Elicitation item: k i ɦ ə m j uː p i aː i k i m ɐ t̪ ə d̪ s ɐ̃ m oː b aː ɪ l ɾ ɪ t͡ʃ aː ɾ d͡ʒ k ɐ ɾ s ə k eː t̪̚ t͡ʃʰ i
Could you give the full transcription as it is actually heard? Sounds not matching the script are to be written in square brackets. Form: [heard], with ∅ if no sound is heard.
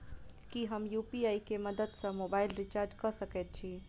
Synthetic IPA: k i ɦ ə m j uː p i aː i k [e] m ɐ [d̪] ə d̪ s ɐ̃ m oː b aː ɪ l ɾ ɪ t͡ʃ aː ɾ d͡ʒ k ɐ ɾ s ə k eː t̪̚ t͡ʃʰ i